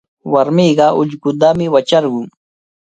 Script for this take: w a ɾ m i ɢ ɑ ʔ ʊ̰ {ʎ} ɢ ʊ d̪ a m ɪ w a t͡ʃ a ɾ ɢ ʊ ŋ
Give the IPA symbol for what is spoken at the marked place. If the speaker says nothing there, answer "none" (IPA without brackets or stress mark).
ʎ